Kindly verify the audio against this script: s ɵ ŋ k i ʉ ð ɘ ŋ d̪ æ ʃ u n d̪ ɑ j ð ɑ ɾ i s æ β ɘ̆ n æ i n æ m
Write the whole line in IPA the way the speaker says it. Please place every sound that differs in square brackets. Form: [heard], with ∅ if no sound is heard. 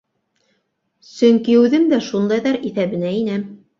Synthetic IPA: s ɵ ŋ k i ʉ ð ɘ [m] d̪ æ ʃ u n d̪ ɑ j ð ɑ ɾ i [θ] æ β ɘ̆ n æ i n æ m